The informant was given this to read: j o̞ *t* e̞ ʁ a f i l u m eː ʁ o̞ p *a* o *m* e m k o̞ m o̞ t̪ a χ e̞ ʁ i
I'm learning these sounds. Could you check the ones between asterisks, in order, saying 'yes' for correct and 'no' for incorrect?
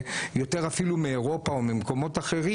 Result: yes, yes, yes

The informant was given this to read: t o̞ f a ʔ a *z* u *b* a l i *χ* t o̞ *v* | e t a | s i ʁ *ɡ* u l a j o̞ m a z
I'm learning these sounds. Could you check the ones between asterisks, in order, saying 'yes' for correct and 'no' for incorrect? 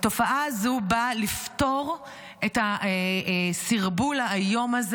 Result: yes, yes, no, no, no

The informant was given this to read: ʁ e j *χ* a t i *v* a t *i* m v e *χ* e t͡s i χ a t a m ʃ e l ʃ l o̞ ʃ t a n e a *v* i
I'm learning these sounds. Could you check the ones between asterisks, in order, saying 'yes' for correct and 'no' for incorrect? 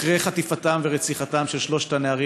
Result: yes, no, no, no, no

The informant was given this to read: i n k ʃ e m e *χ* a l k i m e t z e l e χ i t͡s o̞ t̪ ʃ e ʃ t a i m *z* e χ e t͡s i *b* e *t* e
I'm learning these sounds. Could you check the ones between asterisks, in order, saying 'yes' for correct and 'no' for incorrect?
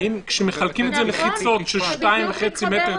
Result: yes, no, no, yes

